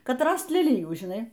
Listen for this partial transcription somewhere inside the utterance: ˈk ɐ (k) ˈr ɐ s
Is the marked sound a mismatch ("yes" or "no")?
yes